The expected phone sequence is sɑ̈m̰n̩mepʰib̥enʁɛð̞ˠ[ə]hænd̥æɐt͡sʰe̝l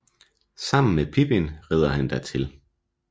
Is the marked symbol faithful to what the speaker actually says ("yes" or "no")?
no